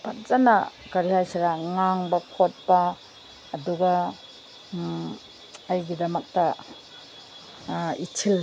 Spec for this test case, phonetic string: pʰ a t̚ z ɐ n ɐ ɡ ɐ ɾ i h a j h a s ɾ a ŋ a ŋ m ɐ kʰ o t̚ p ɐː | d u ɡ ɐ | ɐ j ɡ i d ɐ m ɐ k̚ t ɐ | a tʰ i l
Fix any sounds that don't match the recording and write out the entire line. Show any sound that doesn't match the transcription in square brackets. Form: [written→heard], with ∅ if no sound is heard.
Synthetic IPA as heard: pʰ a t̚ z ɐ n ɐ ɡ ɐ ɾ i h a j [h→s] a [s→∅] ɾ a ŋ a ŋ [m→b] ɐ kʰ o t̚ p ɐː | d u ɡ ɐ | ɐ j ɡ i d ɐ m ɐ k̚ t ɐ | [a→i] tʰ i l